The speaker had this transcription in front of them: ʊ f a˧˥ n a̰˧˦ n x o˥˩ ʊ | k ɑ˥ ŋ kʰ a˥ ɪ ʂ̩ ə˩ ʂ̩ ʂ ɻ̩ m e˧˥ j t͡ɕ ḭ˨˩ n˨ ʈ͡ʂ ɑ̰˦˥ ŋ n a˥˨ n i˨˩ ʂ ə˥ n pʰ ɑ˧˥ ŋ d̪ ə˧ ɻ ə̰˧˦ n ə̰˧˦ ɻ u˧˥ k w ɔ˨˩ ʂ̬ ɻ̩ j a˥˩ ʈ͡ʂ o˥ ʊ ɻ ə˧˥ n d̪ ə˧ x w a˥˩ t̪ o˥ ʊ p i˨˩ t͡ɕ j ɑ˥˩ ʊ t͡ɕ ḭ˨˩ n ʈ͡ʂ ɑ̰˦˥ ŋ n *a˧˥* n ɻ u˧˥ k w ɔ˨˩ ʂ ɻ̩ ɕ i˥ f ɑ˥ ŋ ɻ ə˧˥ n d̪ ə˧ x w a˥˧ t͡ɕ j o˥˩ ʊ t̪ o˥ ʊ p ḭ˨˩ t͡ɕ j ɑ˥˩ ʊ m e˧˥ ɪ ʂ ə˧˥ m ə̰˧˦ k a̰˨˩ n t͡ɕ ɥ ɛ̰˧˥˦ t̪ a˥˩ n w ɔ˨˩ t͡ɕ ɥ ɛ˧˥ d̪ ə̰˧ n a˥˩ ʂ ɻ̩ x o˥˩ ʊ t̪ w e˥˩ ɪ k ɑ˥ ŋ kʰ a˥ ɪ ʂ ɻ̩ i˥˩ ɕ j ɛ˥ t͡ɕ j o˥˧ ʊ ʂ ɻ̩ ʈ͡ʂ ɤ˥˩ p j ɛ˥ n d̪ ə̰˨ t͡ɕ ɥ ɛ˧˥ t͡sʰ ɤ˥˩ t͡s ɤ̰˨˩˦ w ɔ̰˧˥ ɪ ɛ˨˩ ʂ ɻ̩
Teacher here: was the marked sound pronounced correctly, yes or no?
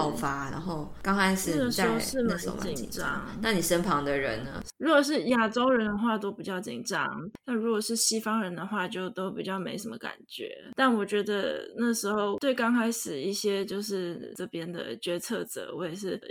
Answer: no